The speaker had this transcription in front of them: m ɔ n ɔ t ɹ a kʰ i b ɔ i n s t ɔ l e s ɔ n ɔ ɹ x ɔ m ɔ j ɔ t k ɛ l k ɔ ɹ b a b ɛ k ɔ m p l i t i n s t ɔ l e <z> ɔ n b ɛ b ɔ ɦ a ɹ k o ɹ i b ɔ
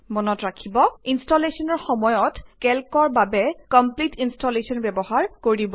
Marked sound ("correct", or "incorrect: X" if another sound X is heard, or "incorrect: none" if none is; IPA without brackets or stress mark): incorrect: s